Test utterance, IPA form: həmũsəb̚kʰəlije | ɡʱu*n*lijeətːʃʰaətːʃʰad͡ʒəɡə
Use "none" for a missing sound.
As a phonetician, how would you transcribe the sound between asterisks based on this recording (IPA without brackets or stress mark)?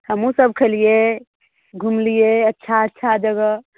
m